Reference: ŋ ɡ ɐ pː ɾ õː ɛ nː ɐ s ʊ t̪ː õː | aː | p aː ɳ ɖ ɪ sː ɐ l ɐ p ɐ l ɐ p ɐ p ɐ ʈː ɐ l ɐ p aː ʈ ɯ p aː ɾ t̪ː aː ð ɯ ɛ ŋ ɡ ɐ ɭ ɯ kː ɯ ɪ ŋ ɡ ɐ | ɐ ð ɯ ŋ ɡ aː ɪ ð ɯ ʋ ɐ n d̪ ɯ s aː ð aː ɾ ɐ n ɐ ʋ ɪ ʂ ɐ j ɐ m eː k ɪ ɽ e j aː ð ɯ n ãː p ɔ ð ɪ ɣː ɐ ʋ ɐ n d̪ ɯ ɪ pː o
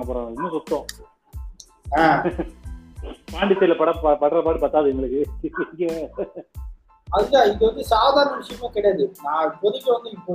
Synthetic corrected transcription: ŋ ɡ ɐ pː ɾ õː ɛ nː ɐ s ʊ t̪ː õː | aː | p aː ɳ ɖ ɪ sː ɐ l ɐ p ɐ ɽ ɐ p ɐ p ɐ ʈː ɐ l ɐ p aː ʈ ɯ p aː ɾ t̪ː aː ð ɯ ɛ ŋ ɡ ɐ ɭ ɯ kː ɯ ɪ ŋ ɡ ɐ | ɐ ð ɯ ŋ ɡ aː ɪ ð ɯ ʋ ɐ n d̪ ɯ s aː ð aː ɾ ɐ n ɐ ʋ ɪ ʂ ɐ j ɐ m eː k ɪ ɽ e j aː ð ɯ n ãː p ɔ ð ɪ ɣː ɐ ʋ ɐ n d̪ ɯ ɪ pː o